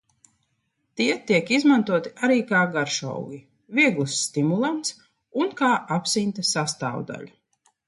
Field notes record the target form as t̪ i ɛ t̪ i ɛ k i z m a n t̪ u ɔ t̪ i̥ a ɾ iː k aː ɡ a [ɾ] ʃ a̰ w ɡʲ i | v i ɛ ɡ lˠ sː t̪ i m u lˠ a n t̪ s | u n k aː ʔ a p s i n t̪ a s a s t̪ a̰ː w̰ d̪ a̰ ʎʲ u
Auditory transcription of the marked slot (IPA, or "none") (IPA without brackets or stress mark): ɾ